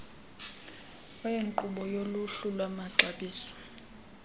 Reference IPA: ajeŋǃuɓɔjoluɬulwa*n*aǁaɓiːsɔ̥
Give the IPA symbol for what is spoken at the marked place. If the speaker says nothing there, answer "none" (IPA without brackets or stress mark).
m